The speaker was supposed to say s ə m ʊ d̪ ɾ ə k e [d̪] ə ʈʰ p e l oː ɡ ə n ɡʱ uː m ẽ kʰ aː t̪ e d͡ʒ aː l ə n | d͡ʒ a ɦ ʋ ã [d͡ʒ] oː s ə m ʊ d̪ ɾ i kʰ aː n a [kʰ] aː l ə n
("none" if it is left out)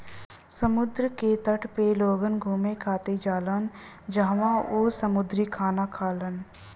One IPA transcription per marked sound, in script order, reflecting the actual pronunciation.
t̪, none, kʰ

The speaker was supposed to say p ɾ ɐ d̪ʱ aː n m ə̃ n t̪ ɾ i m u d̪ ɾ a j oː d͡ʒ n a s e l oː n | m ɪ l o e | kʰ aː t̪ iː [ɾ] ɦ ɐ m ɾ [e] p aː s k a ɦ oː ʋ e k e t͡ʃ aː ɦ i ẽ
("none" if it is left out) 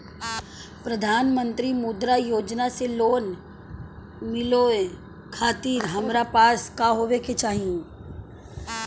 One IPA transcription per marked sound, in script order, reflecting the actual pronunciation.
ɾ, a

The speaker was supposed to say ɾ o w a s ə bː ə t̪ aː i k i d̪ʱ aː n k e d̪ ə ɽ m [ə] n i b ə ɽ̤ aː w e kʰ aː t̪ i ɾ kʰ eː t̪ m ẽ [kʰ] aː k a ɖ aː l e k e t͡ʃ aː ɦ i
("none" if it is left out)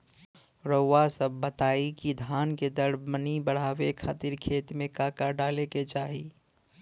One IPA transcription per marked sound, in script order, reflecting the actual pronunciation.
ə, k

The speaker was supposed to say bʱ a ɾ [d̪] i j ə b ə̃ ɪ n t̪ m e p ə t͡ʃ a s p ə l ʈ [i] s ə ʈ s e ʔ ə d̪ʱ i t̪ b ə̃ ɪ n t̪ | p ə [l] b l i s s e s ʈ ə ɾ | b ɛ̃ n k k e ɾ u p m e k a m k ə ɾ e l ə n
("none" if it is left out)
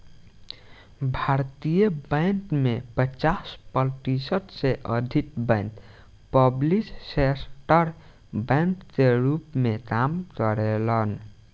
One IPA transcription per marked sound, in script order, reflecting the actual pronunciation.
t̪, i, none

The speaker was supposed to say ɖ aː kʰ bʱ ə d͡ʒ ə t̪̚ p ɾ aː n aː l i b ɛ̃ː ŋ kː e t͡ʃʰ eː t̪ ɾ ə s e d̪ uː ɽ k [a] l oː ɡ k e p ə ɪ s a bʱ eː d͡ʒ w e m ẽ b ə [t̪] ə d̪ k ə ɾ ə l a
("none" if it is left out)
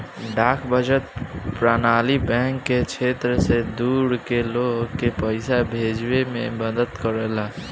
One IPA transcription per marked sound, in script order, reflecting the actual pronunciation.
e, d̪

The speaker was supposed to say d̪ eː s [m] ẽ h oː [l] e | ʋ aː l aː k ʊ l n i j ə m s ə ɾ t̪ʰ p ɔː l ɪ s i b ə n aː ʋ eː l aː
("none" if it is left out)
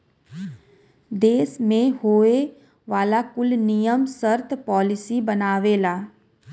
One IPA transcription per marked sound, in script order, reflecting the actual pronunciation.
m, none

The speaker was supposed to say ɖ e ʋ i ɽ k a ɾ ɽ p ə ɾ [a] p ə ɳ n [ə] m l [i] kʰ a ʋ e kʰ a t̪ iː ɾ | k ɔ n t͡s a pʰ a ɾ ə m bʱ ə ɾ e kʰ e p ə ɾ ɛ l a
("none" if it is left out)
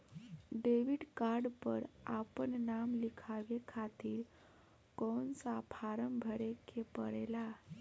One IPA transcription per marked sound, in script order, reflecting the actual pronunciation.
a, a, i

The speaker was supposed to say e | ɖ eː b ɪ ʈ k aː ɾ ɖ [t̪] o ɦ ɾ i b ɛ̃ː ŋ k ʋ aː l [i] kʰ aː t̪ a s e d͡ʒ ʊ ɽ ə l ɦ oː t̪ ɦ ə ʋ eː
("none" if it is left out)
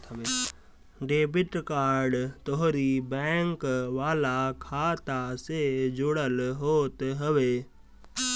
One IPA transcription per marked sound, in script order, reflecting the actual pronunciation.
t̪, a

